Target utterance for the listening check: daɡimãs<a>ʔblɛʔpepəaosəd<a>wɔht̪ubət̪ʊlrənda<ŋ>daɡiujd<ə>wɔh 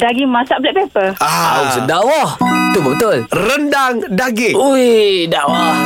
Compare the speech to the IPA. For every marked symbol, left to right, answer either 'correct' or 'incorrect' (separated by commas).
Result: correct, correct, correct, incorrect